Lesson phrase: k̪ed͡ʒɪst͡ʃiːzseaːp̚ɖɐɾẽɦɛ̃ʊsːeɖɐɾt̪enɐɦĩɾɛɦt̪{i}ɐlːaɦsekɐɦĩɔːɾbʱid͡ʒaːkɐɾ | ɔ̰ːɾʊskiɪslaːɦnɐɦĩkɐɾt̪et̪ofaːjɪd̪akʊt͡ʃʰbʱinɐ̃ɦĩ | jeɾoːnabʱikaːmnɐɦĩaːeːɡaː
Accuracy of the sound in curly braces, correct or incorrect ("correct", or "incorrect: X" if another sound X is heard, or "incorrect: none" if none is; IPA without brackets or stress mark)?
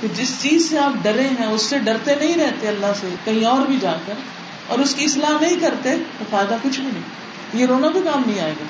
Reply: incorrect: e